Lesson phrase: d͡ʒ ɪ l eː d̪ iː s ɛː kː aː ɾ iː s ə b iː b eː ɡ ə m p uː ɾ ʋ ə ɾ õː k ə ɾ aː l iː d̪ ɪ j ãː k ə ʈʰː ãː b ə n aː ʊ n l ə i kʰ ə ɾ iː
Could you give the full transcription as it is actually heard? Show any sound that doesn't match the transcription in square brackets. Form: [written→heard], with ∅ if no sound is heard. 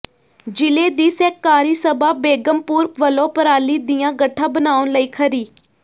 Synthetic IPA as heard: d͡ʒ ɪ l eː d̪ iː s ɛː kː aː ɾ iː s ə b [iː→aː] b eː ɡ ə m p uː ɾ ʋ ə [ɾ→l] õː [k→p] ə ɾ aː l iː d̪ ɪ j ãː [k→ɡ] ə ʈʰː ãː b ə n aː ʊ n l ə [i→iː] kʰ ə ɾ iː